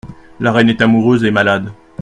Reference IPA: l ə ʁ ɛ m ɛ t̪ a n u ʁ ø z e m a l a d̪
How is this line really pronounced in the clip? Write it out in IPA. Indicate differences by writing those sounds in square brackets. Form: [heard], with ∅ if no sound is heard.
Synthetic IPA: l [a] ʁ ɛ [n] ɛ t̪ a [m] u ʁ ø z e m a l a d̪